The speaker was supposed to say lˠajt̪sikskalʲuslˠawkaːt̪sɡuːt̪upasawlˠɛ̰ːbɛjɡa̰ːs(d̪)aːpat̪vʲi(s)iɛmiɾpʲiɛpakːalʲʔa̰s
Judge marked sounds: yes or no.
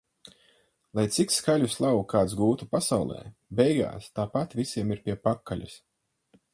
no, yes

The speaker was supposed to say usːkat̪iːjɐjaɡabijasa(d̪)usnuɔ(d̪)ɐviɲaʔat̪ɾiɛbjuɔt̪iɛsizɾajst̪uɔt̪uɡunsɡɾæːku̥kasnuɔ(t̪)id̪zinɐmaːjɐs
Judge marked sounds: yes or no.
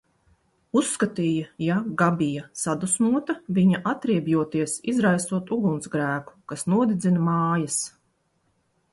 yes, no, no

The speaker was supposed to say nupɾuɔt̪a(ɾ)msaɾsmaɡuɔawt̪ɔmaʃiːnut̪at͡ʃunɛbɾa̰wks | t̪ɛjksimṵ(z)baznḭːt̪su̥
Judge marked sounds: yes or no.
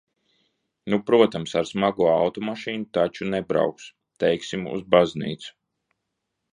no, yes

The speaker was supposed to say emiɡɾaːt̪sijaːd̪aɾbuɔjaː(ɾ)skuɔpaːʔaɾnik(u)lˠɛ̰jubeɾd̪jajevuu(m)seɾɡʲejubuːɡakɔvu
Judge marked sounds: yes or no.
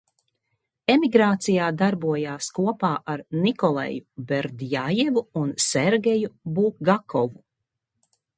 no, no, no

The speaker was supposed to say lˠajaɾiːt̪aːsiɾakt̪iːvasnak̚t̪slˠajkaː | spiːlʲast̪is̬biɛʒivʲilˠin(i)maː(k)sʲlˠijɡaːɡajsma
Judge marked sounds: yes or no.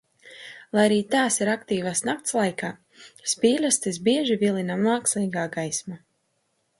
no, yes

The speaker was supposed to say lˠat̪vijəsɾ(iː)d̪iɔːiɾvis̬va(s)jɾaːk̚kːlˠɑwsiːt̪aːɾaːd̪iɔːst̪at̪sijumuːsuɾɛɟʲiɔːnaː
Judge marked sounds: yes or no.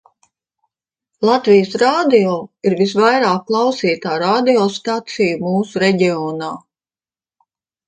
no, no

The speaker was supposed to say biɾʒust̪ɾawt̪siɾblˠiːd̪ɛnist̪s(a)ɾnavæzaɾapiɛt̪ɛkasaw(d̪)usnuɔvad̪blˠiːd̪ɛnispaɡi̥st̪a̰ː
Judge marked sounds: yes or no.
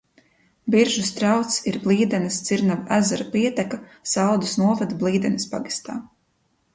no, yes

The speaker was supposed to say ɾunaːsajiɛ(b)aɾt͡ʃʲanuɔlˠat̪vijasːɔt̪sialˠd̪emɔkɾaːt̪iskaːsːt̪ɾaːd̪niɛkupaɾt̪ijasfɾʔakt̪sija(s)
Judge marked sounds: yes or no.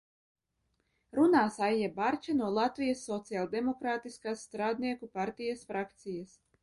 yes, yes

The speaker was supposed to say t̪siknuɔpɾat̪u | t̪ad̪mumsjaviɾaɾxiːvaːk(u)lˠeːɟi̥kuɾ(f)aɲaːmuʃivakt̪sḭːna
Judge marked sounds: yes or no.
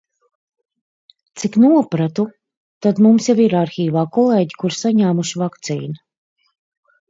no, no

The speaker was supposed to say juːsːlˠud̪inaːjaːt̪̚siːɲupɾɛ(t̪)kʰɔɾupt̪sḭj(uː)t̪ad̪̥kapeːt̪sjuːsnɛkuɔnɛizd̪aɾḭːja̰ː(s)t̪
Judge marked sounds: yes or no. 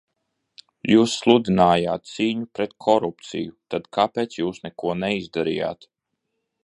yes, no, no

